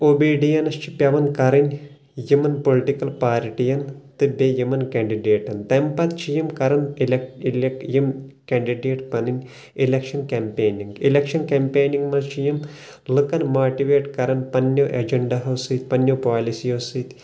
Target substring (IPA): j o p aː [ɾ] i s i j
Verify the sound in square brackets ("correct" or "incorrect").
incorrect